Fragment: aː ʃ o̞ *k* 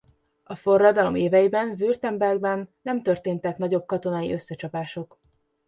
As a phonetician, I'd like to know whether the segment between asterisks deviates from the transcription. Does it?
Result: no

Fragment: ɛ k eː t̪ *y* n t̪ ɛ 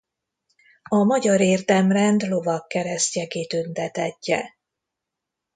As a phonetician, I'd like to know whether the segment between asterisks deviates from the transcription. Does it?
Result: no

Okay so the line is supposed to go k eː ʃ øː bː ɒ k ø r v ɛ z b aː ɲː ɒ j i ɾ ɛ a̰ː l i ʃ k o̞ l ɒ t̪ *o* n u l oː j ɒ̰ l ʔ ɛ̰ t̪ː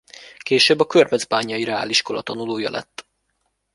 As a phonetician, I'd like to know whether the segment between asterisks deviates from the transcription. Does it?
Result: yes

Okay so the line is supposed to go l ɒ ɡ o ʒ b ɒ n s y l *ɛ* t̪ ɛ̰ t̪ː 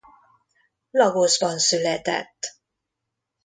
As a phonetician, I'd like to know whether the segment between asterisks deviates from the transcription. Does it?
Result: no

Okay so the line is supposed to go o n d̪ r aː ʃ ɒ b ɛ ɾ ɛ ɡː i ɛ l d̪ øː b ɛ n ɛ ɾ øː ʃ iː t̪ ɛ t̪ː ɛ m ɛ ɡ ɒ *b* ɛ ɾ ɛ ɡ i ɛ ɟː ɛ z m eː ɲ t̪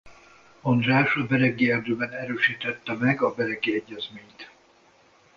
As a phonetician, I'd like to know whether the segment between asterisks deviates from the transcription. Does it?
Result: no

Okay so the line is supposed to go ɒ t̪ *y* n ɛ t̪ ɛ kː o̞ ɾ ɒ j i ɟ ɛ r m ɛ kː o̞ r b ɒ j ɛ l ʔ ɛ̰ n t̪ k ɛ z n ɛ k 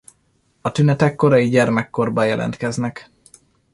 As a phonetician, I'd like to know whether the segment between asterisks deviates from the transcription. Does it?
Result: no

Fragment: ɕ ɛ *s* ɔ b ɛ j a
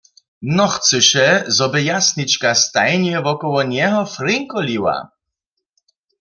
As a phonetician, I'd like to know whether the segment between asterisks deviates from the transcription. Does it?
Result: yes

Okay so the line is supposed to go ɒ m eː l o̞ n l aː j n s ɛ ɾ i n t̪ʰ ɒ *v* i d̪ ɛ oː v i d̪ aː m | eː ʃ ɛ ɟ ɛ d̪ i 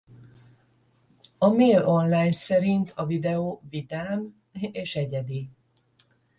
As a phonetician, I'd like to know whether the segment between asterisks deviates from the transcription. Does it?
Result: no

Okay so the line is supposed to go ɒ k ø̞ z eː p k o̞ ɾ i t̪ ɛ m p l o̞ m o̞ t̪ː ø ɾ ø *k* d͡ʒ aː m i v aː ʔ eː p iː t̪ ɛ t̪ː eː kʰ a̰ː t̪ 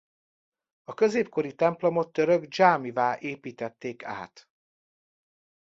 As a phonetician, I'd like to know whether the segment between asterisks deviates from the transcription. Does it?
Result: yes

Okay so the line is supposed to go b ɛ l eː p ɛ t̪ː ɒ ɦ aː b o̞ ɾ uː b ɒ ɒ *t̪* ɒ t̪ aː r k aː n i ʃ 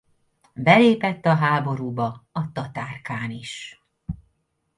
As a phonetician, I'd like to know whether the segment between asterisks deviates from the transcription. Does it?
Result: no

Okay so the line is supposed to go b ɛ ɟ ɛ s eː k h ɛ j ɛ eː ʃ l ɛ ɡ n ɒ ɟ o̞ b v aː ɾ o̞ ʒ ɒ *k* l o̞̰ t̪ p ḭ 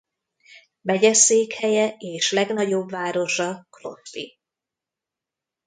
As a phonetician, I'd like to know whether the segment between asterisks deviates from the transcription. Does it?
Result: no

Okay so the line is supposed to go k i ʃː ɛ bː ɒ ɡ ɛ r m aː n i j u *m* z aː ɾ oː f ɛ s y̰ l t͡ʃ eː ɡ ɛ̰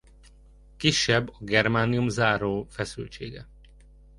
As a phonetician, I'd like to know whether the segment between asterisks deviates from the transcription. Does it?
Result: no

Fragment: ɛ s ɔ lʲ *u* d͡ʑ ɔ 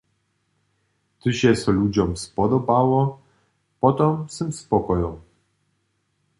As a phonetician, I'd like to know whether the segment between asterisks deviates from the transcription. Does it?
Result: no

